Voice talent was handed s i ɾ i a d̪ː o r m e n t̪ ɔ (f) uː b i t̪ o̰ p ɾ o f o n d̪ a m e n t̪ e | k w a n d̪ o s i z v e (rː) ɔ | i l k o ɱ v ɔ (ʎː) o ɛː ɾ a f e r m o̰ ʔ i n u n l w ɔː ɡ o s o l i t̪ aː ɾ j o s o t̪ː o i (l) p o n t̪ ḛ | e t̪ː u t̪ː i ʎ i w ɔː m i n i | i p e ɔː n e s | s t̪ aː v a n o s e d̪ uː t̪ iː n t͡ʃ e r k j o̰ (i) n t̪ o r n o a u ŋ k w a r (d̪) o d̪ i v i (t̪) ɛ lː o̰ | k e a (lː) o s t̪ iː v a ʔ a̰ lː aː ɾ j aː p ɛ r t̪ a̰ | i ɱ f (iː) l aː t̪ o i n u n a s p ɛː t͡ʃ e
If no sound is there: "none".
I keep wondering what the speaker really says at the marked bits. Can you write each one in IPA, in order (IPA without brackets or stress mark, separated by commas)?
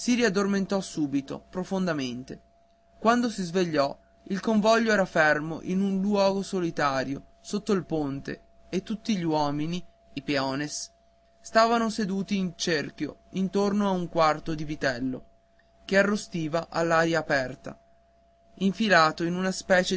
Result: s, ʎː, ʎː, l, i, t̪, t̪, rː, i